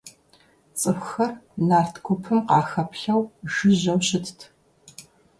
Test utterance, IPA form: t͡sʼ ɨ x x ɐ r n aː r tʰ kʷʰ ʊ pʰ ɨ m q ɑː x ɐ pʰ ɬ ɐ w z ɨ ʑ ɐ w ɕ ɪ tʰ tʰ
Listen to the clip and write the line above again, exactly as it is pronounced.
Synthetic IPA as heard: t͡sʼ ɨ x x ɐ r n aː r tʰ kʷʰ ʊ pʰ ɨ m q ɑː x ɐ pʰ ɬ ɐ w ʒ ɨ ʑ ɐ w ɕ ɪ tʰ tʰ